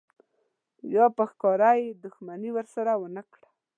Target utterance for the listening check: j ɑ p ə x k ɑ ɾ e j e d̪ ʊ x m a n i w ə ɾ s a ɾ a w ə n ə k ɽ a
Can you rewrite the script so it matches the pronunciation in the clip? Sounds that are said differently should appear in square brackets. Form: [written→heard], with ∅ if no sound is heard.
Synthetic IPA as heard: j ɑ p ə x k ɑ ɾ [e→a] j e d̪ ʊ x m a n i w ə ɾ s a ɾ a w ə n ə k ɽ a

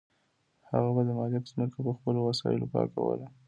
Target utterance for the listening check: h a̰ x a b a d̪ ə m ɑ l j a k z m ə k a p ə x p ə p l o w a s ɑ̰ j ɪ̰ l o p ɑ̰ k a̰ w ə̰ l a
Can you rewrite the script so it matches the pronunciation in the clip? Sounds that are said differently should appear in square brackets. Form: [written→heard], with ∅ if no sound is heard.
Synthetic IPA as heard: h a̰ [x→ɣ] a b a d̪ ə m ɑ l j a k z m ə k a p ə x p ə [p→∅] l o w a s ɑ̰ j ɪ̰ l o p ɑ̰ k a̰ w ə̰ l a

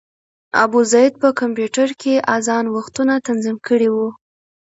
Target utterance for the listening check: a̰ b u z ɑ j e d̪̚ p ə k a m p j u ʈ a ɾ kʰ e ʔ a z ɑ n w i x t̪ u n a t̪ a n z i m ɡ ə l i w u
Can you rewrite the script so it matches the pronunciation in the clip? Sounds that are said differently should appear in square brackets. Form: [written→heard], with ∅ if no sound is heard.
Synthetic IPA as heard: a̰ b u z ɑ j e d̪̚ p ə k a m p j u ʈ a ɾ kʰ e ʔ a z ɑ n w [i→a] x t̪ u n a t̪ a n z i m [ɡ→k] ə [l→ɽ] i w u

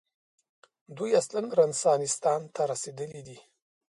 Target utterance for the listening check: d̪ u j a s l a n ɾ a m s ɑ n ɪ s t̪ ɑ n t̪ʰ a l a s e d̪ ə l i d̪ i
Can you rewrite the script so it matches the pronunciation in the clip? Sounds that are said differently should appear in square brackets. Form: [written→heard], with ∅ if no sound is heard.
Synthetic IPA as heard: d̪ u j a s l a n ɾ a [m→n] s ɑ n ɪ s t̪ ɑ n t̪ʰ a [l→ɾ] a s e d̪ ə l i d̪ i

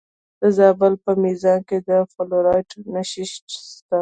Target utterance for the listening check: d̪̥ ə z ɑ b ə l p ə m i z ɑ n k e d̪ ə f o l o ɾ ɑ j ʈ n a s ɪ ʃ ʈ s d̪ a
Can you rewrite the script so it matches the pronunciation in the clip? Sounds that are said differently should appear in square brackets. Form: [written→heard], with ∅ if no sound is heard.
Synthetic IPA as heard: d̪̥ ə z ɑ b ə l p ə m i z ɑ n k e d̪ ə f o l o ɾ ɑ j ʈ n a [s→ʃ] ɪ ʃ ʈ s [d̪→t̪] a

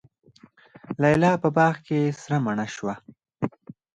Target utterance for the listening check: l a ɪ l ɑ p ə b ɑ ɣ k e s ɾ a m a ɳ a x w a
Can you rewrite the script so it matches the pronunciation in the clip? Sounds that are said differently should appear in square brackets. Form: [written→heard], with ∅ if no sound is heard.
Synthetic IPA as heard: l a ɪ l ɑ p ə b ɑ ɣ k e s ɾ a m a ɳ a [x→ʃ] w a

